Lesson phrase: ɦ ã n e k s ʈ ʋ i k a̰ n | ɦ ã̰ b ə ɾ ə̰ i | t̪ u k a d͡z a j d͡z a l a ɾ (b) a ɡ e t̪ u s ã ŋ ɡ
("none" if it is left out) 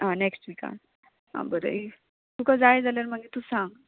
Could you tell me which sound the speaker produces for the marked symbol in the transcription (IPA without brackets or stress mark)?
m